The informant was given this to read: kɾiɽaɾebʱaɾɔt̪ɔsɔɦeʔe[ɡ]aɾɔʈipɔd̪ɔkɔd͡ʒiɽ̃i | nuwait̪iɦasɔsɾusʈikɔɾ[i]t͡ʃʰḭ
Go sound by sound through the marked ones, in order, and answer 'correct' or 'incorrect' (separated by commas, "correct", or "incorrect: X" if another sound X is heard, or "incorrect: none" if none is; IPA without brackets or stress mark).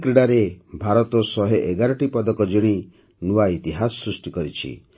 correct, correct